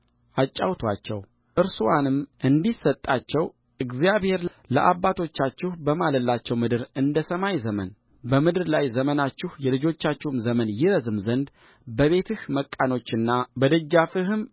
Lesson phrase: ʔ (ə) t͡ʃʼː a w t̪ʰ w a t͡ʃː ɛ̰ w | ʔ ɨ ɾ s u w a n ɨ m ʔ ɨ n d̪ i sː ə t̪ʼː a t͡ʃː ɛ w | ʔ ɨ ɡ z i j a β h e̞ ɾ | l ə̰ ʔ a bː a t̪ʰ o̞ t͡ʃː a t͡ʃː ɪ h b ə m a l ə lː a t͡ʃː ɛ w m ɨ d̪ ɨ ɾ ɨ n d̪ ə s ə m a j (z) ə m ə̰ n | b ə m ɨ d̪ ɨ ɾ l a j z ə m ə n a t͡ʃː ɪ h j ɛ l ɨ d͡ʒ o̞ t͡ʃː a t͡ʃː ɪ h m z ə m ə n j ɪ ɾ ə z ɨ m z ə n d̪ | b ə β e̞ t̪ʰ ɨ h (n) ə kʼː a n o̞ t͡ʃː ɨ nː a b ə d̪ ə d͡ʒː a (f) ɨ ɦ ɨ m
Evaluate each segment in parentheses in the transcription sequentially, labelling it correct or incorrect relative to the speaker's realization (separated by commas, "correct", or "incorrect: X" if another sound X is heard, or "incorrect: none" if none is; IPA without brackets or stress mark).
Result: incorrect: a, correct, incorrect: m, correct